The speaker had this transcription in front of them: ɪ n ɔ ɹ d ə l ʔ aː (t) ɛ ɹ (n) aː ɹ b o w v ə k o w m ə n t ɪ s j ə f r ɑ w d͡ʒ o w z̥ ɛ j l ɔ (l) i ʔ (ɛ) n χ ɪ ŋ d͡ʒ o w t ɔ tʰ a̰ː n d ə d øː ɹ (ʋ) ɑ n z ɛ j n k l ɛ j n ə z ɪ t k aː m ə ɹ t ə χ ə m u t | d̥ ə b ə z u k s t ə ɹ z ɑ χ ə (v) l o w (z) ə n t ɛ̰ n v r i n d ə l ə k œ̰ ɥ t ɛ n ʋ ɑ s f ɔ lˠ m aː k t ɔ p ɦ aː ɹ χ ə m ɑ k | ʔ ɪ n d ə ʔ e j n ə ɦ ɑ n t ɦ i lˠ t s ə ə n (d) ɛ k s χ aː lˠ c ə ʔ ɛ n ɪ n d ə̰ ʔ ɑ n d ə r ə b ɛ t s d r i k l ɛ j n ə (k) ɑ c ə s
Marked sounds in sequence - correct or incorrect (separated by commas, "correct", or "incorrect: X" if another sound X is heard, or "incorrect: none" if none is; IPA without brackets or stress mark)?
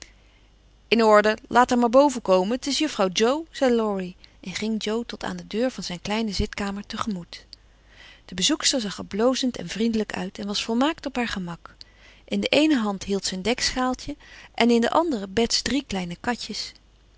correct, incorrect: m, incorrect: ɹ, correct, incorrect: v, incorrect: b, correct, correct, correct